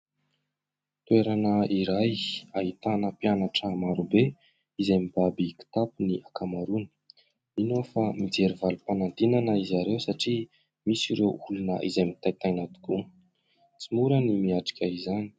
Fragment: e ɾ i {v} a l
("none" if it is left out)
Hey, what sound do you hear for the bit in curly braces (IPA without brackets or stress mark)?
v